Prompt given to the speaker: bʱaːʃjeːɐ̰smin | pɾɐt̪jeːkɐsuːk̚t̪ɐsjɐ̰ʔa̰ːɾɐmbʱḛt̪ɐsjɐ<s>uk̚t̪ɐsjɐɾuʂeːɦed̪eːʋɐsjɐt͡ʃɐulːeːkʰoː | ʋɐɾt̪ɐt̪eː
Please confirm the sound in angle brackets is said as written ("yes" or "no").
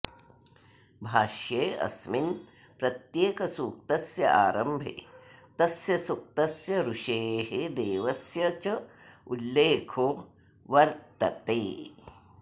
yes